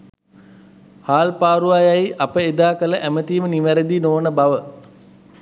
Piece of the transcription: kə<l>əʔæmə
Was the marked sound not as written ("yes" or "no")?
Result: no